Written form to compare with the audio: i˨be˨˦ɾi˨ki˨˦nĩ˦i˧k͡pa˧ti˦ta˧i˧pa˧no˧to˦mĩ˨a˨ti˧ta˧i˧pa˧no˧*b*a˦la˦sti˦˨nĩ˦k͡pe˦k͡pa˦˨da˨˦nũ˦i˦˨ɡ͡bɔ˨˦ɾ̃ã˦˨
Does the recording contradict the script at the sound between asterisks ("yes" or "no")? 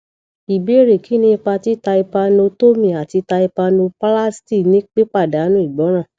yes